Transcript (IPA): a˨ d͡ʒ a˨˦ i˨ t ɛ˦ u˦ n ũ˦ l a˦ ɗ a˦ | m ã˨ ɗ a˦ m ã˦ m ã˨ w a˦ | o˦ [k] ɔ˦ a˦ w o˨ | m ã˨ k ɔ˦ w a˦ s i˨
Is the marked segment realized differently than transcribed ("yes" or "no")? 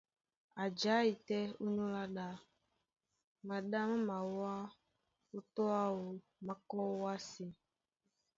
yes